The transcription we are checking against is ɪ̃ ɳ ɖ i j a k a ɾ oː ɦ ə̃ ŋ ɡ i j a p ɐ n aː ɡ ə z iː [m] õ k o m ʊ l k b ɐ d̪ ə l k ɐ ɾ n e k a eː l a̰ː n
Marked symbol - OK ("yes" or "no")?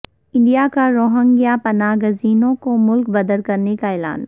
no